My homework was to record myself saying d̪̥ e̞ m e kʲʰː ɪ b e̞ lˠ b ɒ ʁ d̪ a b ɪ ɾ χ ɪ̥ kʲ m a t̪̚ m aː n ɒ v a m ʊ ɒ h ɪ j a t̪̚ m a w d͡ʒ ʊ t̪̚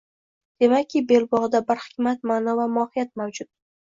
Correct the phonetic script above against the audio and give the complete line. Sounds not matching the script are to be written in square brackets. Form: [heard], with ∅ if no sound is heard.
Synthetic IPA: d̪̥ e̞ m [a] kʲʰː ɪ b e̞ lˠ b ɒ ʁ d̪ a b ɪ ɾ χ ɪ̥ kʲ m a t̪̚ m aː n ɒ v a m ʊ ɒ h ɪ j a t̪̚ m a w d͡ʒ ʊ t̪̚